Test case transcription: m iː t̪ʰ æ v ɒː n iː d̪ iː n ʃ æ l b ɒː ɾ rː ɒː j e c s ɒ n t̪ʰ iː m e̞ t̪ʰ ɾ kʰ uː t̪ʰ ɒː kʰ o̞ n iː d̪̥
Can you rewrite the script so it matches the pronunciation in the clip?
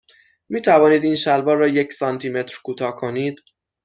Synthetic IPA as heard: m iː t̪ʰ æ v ɒː n iː d̪ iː n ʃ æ l b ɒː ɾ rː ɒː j e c s ɒ n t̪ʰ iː m e̞ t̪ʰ ɾ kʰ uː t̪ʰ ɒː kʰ o̞ n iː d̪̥